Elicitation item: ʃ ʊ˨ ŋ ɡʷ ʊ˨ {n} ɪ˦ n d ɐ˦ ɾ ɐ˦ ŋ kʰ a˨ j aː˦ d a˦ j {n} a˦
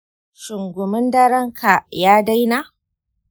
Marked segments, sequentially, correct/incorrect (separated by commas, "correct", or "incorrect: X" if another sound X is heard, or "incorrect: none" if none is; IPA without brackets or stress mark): incorrect: m, correct